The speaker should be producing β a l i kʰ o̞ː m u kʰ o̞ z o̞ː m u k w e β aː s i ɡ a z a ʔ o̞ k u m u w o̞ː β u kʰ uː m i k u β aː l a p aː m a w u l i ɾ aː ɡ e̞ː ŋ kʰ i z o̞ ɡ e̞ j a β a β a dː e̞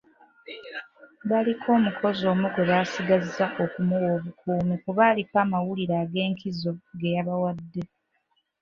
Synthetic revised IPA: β a l i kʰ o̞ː m u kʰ o̞ z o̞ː m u k w e β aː s i ɡ a z a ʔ o̞ k u m u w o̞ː β u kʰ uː m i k u β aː l i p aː m a w u l i ɾ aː ɡ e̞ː ŋ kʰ i z o̞ ɡ e̞ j a β a w a dː e̞